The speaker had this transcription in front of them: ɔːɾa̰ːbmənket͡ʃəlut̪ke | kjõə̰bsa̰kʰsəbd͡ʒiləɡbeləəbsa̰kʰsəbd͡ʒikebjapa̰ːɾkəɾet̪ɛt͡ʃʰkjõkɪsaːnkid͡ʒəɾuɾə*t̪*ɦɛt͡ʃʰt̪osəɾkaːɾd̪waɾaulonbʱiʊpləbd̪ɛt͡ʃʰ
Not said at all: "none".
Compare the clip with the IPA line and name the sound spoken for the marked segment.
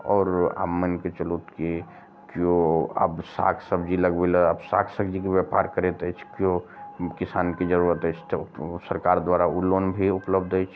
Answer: t̪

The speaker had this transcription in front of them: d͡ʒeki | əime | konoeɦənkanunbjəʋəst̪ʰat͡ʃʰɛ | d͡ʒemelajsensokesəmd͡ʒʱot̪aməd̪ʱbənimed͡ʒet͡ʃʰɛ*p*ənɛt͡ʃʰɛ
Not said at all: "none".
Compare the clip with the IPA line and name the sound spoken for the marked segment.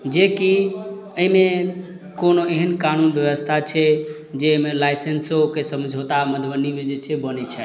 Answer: b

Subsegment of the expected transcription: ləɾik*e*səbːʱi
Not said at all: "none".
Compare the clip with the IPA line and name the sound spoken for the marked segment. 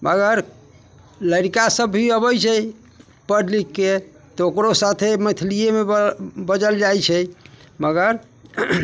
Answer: a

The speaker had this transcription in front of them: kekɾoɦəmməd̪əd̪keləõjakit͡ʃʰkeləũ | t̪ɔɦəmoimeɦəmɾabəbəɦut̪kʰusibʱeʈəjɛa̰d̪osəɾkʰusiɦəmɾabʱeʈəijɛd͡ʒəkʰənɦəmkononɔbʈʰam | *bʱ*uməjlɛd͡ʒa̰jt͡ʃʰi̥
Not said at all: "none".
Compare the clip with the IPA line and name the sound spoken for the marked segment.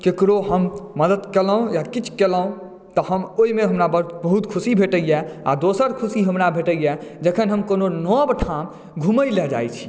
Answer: ɡʱ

